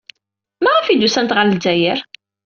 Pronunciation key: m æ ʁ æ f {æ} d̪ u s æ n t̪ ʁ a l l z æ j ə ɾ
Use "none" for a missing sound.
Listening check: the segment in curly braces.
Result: i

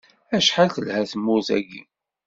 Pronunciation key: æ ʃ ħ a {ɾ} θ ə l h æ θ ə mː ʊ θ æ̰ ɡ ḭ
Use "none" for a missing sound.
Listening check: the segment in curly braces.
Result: l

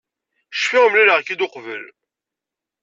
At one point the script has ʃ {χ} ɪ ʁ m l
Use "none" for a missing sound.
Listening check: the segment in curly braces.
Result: f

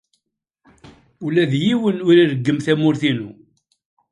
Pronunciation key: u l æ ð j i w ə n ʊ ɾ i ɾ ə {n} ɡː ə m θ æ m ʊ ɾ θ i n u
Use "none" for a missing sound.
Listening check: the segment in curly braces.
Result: none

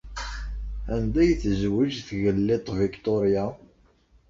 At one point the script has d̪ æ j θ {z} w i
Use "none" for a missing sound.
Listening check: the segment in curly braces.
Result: z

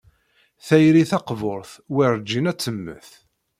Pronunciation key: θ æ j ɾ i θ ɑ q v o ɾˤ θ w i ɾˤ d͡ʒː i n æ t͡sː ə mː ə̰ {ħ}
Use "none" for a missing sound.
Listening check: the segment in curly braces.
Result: θ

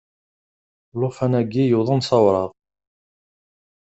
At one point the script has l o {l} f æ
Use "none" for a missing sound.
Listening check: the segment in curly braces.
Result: none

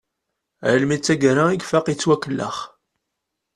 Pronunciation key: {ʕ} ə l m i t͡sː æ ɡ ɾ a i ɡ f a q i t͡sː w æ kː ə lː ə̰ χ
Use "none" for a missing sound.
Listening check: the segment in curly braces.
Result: ʕ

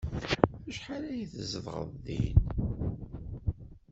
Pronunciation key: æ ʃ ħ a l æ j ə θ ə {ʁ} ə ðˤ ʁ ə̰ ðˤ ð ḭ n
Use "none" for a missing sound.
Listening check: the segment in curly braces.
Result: z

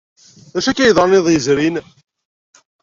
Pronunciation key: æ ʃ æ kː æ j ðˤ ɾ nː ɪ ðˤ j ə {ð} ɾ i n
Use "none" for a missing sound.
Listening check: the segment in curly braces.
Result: z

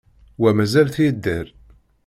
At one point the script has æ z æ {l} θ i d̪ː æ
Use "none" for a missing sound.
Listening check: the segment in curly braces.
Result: l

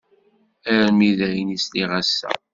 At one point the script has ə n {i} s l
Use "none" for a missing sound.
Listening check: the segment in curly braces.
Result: i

